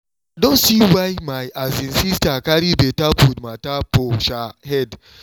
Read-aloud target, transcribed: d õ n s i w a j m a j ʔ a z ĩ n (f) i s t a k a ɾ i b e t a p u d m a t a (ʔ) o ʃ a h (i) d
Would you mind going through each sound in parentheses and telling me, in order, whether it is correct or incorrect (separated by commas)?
incorrect, incorrect, incorrect